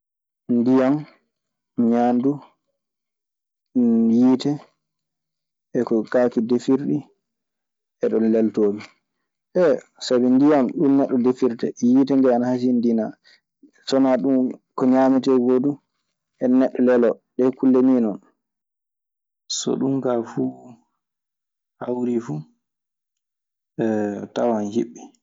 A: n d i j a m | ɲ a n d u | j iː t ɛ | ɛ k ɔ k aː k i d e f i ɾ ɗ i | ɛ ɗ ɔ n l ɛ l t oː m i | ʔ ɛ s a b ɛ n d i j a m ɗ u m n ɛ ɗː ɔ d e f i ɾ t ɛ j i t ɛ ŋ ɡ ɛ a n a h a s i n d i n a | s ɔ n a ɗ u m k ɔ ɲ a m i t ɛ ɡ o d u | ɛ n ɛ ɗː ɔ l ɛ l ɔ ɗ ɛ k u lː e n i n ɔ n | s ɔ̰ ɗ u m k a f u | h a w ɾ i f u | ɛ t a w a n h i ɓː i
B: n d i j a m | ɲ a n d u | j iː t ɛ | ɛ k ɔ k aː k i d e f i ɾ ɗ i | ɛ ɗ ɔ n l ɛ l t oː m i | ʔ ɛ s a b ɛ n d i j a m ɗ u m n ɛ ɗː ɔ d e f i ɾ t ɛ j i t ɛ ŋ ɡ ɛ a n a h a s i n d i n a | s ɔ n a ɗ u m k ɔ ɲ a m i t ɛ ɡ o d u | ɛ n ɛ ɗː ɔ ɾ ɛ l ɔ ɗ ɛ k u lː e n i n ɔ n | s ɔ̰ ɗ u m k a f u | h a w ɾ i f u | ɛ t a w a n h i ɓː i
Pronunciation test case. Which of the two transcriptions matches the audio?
A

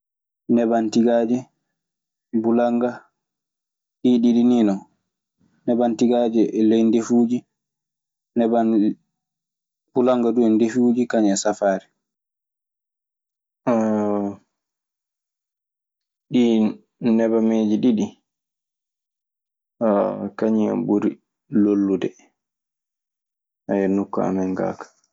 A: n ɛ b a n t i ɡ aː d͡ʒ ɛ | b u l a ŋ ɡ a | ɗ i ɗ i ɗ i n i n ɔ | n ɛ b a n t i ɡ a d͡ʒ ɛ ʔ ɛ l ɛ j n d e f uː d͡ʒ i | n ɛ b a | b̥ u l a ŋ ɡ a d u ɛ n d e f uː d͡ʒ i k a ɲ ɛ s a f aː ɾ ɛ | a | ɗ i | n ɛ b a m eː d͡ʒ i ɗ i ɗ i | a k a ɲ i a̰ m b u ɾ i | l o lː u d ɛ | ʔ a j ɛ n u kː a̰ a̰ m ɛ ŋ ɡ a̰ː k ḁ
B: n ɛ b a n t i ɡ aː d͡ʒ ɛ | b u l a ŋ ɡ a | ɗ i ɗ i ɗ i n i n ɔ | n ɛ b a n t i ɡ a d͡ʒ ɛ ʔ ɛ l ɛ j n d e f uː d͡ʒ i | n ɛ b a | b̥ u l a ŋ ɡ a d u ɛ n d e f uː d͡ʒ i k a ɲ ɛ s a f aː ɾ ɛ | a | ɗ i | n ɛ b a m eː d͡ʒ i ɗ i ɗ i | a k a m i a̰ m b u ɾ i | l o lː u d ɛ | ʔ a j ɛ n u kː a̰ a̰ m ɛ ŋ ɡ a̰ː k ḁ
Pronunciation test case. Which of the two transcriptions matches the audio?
A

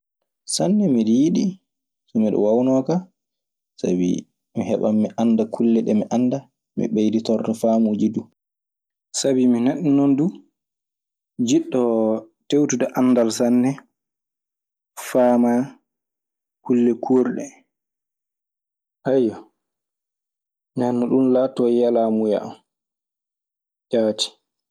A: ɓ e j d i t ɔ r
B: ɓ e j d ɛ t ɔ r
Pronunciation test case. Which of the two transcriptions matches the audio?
A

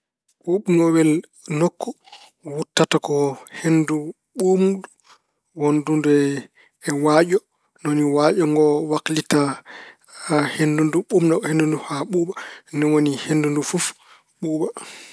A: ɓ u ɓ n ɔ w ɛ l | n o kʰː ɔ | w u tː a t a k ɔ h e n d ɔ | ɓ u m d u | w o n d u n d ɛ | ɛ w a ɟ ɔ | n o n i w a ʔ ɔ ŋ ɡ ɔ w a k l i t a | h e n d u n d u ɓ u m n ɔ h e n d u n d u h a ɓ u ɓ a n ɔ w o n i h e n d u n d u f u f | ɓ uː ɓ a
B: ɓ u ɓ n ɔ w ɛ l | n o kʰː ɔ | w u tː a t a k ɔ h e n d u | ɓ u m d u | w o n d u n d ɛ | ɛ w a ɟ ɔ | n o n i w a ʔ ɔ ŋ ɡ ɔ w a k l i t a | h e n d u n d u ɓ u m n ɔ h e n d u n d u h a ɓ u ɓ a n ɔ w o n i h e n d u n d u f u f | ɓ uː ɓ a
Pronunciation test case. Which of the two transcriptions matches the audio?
B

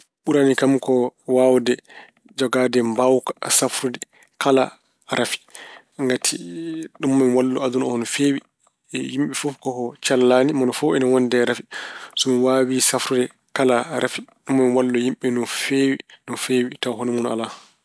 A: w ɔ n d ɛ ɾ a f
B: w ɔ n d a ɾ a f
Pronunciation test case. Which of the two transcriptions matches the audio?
A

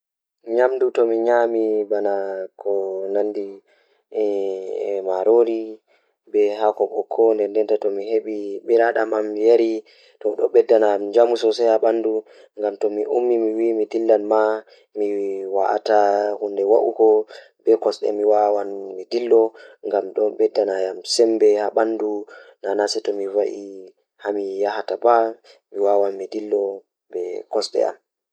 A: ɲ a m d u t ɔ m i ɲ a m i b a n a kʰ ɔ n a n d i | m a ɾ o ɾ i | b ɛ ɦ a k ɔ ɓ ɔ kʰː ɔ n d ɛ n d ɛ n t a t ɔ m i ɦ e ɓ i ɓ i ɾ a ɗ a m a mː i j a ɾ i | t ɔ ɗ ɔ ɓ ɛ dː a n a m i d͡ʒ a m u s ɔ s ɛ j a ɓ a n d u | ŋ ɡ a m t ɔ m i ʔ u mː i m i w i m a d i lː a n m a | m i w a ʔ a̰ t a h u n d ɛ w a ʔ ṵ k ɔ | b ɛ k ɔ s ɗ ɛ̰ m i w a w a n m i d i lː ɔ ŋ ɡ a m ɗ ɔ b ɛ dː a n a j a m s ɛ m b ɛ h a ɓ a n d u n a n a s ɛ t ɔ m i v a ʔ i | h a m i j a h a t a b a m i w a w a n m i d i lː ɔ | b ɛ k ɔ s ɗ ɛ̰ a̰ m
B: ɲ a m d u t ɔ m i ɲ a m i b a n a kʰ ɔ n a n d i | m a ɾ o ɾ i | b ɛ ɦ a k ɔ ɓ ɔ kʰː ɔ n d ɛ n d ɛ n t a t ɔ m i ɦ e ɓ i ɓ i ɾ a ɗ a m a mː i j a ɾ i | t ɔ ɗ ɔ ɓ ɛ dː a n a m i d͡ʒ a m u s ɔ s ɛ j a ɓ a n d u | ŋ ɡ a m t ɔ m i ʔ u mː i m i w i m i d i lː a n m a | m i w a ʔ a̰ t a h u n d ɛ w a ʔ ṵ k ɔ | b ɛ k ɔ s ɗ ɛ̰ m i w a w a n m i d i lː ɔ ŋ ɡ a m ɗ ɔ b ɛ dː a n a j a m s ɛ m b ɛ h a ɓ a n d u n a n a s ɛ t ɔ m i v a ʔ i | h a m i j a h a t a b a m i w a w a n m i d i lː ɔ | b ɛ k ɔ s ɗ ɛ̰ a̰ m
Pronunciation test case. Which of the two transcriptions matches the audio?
B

